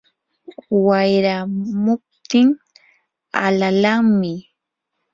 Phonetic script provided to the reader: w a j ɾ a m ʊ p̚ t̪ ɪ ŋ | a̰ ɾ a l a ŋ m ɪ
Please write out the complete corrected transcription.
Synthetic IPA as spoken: w a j ɾ a m ʊ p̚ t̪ ɪ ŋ | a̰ l a l a ŋ m ɪ